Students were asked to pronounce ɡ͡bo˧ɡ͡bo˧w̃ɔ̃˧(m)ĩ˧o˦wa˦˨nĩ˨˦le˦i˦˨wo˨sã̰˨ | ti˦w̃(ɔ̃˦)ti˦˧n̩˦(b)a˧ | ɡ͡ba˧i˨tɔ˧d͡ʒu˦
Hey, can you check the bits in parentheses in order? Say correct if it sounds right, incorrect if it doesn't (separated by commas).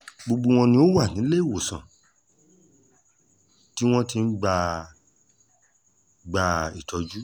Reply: incorrect, correct, incorrect